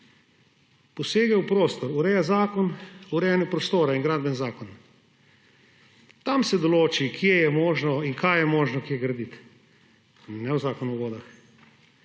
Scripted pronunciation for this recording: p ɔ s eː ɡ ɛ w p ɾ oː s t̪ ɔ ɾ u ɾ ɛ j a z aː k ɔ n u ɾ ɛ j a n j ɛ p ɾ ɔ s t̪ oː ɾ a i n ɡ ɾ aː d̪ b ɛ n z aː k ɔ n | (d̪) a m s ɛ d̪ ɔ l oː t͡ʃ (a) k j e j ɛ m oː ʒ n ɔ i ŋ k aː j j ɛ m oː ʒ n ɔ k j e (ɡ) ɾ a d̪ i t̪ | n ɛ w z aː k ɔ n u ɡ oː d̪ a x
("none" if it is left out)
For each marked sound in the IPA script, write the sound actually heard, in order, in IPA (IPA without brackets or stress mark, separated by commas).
t̪, i, ɡ